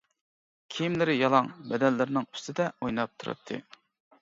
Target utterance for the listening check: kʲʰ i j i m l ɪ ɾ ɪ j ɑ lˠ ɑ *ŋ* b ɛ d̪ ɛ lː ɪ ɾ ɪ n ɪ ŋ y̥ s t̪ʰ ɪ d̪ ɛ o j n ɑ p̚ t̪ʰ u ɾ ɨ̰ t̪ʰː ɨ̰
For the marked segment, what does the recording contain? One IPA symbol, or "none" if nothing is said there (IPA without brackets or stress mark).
ŋ